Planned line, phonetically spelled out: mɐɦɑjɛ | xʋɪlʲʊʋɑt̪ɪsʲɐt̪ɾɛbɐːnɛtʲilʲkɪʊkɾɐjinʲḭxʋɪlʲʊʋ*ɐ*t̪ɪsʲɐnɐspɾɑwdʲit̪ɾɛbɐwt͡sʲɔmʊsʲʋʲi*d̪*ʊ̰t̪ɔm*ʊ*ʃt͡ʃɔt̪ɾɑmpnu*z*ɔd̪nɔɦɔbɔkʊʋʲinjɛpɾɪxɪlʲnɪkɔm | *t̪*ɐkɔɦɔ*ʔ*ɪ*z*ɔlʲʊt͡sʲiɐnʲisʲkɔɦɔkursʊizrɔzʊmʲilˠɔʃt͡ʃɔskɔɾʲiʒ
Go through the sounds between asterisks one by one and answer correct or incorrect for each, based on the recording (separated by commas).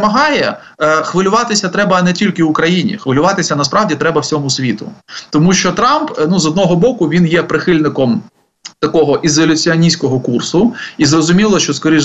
incorrect, incorrect, incorrect, correct, correct, correct, correct